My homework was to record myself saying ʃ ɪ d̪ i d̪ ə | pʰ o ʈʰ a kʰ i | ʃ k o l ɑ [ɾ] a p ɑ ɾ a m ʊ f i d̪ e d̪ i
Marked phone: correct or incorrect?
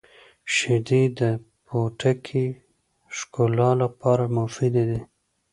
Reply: incorrect: l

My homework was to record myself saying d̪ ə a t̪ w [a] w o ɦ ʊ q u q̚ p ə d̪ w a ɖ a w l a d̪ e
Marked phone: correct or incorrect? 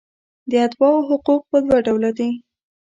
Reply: incorrect: ɑ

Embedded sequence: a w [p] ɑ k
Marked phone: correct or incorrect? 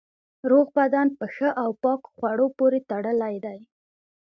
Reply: correct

